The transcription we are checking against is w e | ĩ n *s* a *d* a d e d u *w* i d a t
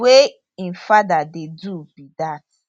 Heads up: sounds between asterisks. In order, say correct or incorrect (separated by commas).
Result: incorrect, correct, incorrect